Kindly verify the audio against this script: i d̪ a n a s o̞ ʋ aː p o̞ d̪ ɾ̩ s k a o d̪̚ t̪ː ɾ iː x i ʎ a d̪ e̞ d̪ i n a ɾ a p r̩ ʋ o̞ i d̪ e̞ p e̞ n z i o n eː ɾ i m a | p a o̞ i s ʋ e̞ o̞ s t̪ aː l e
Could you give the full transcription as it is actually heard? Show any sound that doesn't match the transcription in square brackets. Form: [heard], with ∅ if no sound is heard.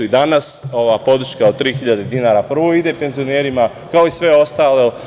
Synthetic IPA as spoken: i d̪ a n a s o̞ ʋ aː p o̞ d̪ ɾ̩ [ʃ] k a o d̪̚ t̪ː ɾ iː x i ʎ a d̪ e̞ d̪ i n a ɾ a p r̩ ʋ o̞ i d̪ e̞ p e̞ n z i o n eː ɾ i m a | [k] a o̞ i s ʋ e̞ o̞ s t̪ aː l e